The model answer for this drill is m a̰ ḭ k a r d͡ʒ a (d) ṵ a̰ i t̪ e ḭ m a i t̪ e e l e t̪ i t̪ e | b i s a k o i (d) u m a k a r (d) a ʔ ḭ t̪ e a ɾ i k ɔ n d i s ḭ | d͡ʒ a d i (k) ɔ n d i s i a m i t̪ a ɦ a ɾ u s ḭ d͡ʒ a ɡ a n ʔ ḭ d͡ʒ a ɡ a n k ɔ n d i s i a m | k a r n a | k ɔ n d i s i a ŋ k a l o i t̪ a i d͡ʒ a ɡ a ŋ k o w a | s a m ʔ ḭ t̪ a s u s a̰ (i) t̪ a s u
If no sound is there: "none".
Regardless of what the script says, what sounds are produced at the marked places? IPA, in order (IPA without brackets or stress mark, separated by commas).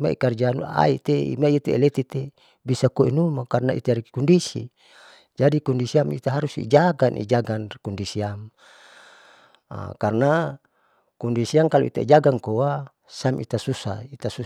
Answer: n, n, n, k, i